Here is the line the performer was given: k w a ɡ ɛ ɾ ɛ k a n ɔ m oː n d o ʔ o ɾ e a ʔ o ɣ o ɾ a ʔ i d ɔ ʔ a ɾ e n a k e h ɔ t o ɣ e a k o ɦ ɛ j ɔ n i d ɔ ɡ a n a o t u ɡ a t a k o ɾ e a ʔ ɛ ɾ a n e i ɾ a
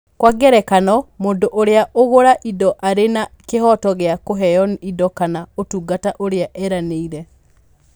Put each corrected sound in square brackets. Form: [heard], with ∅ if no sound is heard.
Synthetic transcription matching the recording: k w a ɡ ɛ ɾ ɛ k a n ɔ m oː n d o ʔ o ɾ e a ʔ o ɣ o ɾ a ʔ i d ɔ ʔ a ɾ e n a k e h ɔ t [ɔ] ɣ e a k o ɦ ɛ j ɔ n i d ɔ [k] a n a o t u ɡ a t a [ʔ] o ɾ e a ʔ ɛ ɾ a n e i ɾ [ɛ]